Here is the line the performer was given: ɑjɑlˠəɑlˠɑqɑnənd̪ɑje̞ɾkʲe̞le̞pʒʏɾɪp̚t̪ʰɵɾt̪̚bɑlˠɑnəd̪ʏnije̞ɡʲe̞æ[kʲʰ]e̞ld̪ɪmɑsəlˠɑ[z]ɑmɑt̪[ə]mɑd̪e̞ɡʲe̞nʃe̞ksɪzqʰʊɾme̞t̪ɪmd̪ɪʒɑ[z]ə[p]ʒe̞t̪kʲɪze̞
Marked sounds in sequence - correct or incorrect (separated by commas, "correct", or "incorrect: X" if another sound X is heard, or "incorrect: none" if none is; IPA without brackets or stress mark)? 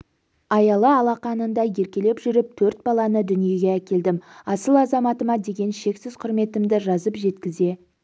incorrect: kʲ, correct, correct, correct, correct